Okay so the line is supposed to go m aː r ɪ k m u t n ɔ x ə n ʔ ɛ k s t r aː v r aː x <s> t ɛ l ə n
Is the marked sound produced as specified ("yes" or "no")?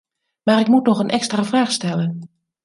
yes